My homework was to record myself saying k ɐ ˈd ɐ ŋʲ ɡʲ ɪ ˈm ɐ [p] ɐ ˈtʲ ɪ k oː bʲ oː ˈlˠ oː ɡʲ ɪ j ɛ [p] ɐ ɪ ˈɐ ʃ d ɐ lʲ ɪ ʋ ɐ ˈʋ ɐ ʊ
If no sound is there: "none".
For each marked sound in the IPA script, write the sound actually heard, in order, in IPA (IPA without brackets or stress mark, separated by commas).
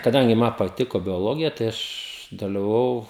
p, t